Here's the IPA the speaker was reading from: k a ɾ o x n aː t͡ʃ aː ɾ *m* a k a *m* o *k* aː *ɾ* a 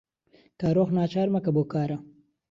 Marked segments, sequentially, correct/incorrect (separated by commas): correct, incorrect, correct, correct